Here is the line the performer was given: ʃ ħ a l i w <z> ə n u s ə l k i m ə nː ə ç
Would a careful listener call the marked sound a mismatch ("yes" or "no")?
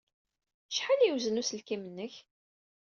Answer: no